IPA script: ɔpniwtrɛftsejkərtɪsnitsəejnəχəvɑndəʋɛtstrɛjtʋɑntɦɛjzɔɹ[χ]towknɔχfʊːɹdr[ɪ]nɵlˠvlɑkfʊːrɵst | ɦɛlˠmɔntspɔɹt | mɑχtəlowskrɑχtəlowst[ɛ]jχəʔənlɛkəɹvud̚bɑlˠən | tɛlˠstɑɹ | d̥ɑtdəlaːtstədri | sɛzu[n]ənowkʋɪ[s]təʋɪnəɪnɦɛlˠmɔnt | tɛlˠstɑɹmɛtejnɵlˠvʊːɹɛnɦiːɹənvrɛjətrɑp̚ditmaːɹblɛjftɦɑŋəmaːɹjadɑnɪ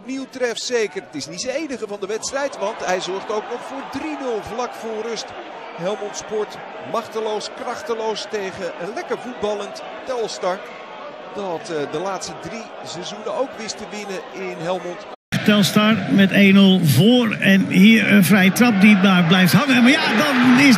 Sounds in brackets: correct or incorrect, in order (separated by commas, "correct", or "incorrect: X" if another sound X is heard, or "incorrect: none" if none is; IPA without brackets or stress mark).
correct, incorrect: i, incorrect: e, correct, correct